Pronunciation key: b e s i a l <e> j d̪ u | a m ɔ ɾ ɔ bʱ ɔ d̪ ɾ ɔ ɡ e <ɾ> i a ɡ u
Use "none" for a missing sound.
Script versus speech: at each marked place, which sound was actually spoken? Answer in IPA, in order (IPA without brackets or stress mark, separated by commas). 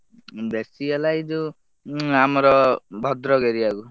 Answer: a, ɾ